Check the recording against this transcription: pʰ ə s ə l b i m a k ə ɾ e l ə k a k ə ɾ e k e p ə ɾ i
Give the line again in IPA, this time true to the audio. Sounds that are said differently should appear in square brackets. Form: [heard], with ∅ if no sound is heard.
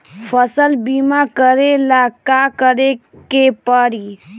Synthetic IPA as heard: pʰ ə s ə l b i m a k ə ɾ e l [a] k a k ə ɾ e k e p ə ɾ i